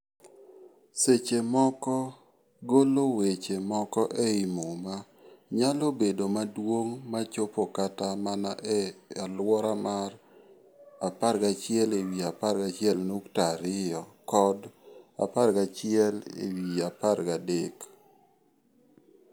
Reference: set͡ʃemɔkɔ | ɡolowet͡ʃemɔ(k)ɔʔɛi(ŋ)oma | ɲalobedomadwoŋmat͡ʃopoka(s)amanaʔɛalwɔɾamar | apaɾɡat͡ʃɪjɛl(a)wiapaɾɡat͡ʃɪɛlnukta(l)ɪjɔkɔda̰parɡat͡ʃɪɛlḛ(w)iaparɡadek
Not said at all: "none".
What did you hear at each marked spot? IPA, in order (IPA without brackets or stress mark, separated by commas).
k, m, t, e, ɾ, w